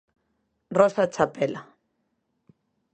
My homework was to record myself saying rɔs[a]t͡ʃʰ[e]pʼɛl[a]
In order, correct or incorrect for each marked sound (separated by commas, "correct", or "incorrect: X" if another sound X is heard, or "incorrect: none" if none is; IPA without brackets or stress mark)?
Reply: correct, incorrect: a, correct